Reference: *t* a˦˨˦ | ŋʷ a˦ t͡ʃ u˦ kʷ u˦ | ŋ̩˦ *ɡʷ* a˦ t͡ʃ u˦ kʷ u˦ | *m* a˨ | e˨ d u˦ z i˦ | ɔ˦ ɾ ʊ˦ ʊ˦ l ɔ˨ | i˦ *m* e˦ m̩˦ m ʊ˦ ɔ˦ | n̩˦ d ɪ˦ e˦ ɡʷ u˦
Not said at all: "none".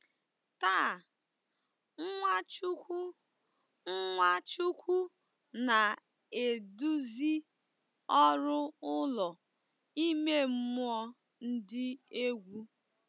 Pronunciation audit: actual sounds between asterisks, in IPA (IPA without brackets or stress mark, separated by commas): t, ŋʷ, n, m